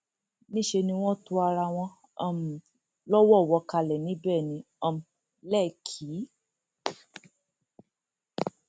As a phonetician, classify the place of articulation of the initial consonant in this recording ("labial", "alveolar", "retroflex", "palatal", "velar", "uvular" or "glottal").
alveolar